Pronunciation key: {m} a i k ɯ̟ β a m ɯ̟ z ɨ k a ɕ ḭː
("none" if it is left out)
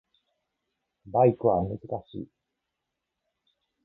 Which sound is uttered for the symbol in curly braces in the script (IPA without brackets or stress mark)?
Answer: b